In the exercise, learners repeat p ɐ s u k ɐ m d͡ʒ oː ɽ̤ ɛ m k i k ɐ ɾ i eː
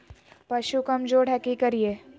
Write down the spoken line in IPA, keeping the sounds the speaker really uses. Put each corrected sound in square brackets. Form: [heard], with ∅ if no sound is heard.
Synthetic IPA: p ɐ [ʃ] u k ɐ m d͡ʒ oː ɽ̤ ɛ [∅] k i k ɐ ɾ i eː